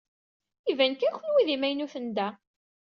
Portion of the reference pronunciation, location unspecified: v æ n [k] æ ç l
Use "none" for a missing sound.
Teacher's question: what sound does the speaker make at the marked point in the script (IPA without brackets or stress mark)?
k